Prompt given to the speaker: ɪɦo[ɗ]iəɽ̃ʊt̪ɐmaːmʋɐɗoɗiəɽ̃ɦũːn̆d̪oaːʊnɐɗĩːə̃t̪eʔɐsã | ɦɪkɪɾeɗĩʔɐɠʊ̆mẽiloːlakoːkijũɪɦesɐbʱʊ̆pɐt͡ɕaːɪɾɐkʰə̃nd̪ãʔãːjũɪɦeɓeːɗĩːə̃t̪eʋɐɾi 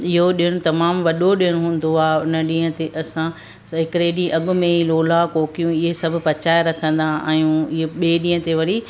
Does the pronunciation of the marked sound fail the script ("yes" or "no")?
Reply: no